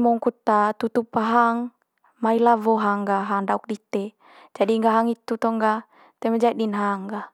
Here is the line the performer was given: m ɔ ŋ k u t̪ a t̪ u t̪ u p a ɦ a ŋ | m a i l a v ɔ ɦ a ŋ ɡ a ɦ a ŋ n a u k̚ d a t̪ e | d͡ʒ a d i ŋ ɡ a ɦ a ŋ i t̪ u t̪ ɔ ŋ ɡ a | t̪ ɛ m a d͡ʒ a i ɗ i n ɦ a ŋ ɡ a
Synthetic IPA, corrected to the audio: m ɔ ŋ k u t̪ a t̪ u t̪ u p a ɦ a ŋ | m a i l a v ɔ ɦ a ŋ ɡ a ɦ a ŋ d a u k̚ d i t̪ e | d͡ʒ a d i ŋ ɡ a ɦ a ŋ i t̪ u t̪ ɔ ŋ ɡ a | t̪ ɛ m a d͡ʒ a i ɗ i n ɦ a ŋ ɡ a